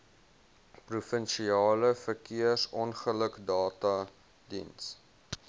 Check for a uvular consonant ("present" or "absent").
present